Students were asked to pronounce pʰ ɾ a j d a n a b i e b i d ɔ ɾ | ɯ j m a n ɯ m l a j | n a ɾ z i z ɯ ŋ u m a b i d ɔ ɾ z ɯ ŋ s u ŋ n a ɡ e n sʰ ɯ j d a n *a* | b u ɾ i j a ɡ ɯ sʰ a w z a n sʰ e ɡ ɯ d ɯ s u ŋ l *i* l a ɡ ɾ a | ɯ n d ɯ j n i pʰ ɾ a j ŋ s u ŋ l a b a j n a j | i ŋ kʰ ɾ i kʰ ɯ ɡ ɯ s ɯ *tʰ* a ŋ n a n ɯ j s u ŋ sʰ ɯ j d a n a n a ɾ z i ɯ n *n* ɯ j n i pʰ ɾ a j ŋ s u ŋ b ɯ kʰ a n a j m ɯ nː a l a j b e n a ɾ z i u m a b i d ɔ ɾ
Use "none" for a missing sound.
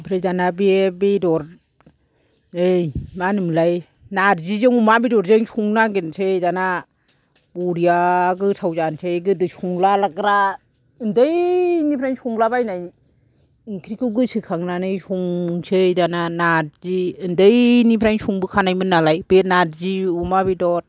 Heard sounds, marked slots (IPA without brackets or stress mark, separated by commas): a, a, kʰ, d